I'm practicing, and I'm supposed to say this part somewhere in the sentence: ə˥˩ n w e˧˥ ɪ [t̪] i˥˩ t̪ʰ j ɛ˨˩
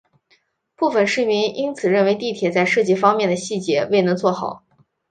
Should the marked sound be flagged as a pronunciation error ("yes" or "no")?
no